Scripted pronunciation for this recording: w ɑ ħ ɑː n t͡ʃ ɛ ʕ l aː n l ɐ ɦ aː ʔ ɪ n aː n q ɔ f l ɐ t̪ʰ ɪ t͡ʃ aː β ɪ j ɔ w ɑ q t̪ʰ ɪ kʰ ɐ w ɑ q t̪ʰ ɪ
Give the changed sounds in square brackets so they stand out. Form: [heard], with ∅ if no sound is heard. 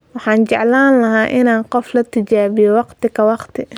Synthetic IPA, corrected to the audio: w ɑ ħ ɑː n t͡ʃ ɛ ʕ l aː n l ɐ ɦ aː ʔ ɪ n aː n q ɔ f l ɐ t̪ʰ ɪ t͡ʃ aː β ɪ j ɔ w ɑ q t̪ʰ ɪ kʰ ɐ w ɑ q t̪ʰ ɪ